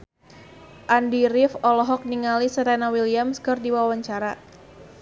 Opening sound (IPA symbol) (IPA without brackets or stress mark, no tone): ʔ